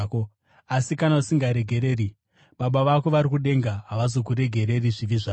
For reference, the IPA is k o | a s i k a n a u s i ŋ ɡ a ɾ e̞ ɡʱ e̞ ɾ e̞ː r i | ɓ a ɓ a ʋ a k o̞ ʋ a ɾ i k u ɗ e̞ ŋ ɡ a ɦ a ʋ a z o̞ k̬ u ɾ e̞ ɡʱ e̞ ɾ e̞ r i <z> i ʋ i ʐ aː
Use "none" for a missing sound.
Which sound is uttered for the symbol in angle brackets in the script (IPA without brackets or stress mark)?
ʐ